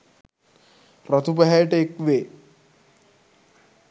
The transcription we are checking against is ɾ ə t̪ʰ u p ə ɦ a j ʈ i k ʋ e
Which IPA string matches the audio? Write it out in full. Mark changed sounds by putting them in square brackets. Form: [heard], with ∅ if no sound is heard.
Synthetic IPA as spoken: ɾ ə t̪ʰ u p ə ɦ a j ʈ [e] k ʋ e